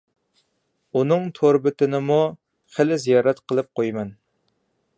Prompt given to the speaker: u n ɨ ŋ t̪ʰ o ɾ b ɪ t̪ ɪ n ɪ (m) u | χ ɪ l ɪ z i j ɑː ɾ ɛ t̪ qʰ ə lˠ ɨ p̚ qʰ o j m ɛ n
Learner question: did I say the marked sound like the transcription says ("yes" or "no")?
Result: yes